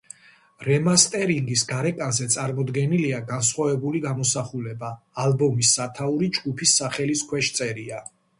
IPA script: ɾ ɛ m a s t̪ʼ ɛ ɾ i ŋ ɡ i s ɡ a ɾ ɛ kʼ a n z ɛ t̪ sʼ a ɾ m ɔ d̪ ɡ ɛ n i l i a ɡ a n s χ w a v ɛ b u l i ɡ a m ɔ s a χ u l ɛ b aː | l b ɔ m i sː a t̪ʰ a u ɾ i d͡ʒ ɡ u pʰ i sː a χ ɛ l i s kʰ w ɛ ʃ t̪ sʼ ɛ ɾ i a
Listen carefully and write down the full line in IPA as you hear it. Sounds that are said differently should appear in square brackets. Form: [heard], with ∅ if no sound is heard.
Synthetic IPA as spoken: ɾ ɛ m a s t̪ʼ ɛ ɾ i ŋ ɡ i s ɡ a ɾ ɛ kʼ a n z ɛ t̪ sʼ a ɾ m ɔ d̪ ɡ ɛ n i l i a ɡ a n s χ w a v ɛ b u l i ɡ a m ɔ s a χ u l ɛ b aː | l b ɔ m i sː a t̪ʰ a u ɾ i d͡ʒ ɡ u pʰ i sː a χ ɛ l i s kʰ w ɛ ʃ t̪ sʼ ɛ ɾ i a